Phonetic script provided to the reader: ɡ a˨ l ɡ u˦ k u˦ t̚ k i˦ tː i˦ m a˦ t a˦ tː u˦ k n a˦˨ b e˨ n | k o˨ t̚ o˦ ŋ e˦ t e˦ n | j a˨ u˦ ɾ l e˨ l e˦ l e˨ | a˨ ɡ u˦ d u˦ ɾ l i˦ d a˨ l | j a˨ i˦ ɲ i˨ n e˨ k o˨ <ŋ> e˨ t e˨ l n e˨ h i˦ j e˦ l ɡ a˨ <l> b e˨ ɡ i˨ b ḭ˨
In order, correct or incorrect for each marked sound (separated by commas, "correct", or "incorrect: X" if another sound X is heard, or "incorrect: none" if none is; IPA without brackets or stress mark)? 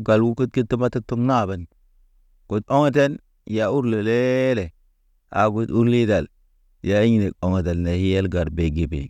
correct, incorrect: ɾ